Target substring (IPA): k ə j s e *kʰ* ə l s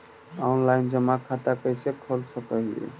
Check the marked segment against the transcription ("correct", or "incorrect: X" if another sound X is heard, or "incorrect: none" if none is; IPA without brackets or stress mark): correct